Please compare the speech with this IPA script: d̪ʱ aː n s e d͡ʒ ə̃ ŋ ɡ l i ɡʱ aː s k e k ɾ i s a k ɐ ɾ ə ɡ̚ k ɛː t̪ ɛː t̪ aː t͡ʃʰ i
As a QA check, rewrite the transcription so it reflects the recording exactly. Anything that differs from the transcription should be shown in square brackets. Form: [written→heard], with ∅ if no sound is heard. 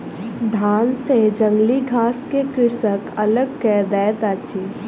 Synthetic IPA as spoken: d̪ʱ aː n s e d͡ʒ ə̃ ŋ ɡ l i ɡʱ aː s k e k ɾ [i→ɪ] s [a→ə] k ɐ [ɾ→l] ə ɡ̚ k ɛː [t̪→d̪] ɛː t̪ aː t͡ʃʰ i